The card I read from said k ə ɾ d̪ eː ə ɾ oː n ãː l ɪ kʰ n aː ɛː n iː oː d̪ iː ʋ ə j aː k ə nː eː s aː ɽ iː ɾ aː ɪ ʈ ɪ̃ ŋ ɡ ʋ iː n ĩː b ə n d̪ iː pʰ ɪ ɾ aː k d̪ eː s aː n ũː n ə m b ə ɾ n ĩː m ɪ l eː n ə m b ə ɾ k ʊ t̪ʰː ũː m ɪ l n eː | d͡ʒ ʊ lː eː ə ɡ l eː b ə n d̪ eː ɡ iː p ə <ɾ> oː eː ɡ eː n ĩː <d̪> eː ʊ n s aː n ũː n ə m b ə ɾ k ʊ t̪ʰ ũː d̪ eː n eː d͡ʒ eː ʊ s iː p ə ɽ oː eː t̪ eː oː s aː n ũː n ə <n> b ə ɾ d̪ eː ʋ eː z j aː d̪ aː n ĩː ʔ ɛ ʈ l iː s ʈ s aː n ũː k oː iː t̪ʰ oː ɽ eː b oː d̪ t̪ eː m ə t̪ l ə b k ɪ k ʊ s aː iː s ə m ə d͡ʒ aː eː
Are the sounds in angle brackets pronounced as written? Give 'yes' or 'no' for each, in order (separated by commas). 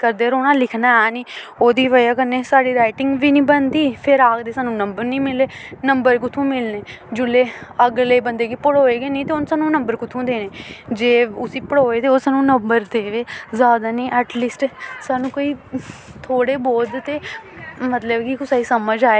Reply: no, no, no